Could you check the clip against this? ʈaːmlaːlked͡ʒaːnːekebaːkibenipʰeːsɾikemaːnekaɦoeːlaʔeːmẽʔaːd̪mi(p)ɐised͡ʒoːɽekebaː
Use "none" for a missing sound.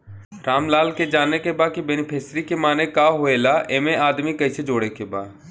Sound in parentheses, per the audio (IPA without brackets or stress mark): k